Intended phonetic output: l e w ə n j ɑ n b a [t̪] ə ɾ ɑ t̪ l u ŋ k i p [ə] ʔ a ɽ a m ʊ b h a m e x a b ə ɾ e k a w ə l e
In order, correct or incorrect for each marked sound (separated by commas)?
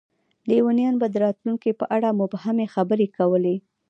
incorrect, correct